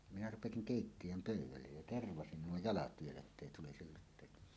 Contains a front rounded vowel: yes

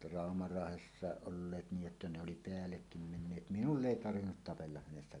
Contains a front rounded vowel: no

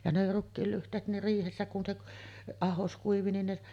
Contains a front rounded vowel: yes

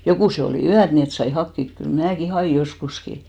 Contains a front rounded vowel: yes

